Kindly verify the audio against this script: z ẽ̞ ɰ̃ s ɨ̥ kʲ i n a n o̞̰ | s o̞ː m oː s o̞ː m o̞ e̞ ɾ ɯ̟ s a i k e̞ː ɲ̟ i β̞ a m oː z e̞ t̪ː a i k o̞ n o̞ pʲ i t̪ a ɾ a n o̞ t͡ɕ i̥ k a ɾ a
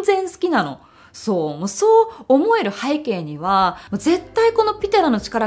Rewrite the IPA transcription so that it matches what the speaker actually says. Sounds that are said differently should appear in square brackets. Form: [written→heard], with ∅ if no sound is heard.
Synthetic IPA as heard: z ẽ̞ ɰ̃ s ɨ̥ kʲ i n a n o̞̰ | s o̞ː m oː s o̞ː m o̞ e̞ ɾ ɯ̟ [s→h] a i k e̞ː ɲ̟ i β̞ a m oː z e̞ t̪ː a i k o̞ n o̞ pʲ i t̪ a ɾ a n o̞ t͡ɕ i̥ k a ɾ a